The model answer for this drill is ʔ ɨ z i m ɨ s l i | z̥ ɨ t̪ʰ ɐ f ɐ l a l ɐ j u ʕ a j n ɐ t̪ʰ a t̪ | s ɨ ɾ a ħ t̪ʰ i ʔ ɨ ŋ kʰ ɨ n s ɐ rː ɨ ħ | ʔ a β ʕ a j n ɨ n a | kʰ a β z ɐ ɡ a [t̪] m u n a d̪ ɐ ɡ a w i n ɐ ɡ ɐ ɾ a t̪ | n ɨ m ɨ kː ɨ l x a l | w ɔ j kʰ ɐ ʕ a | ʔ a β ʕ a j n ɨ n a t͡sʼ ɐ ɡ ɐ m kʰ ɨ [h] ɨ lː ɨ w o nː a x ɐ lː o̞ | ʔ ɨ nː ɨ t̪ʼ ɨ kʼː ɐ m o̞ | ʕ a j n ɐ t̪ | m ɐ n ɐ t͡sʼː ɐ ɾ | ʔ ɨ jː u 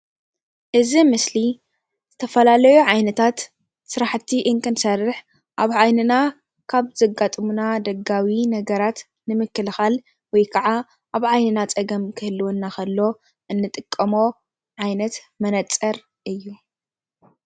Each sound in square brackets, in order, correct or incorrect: incorrect: t̪ʼ, correct

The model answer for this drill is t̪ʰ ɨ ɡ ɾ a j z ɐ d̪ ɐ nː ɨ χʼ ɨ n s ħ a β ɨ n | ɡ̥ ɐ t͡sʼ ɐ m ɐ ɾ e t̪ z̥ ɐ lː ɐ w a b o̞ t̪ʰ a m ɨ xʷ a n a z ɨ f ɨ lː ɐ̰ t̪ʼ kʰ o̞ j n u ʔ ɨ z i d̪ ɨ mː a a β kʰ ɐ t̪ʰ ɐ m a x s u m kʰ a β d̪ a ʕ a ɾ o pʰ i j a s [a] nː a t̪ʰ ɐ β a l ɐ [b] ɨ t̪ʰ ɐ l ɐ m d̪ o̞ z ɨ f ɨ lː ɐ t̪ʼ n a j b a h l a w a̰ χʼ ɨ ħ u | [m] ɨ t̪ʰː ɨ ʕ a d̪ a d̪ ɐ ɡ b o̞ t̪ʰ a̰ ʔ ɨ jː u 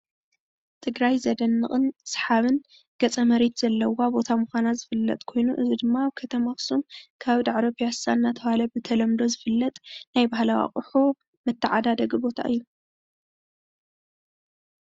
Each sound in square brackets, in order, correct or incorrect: correct, correct, correct

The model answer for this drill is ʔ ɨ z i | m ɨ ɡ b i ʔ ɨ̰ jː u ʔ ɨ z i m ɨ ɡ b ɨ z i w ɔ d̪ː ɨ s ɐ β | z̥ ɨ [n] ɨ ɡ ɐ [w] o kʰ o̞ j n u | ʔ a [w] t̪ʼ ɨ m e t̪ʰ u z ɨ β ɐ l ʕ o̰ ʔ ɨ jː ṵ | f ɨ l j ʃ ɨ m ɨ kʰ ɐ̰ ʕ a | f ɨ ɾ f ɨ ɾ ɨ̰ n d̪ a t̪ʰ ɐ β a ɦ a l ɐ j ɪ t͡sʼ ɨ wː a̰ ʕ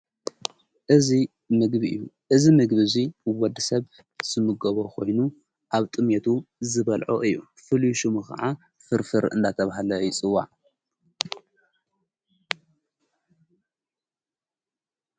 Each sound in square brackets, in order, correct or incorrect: incorrect: m, incorrect: β, incorrect: β

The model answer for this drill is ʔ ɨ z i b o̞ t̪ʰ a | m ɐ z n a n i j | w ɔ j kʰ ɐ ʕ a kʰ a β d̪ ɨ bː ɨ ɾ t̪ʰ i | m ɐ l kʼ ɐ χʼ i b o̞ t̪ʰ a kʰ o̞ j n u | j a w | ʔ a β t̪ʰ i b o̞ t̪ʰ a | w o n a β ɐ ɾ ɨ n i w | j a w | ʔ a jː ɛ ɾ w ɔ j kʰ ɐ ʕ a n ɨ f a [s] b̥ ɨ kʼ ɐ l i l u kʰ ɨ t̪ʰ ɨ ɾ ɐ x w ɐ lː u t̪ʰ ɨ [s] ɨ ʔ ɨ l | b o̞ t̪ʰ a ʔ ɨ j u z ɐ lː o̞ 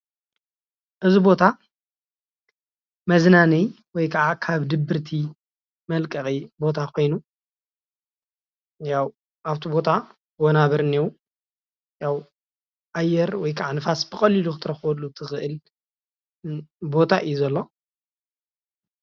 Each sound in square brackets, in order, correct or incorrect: correct, incorrect: x

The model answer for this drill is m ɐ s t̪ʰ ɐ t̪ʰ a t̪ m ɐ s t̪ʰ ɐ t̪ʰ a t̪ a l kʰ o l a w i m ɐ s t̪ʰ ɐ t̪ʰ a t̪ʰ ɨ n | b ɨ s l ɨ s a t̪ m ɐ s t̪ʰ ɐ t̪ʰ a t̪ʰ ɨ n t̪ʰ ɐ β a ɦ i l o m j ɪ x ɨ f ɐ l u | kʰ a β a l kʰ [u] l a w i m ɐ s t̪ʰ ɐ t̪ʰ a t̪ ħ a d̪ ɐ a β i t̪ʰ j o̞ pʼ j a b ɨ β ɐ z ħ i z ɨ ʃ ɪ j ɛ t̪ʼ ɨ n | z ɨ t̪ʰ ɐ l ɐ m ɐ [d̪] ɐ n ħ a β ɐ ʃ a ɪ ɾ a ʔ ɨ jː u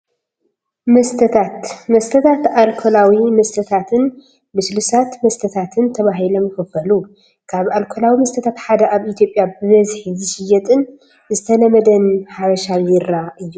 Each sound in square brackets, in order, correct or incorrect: incorrect: o, correct

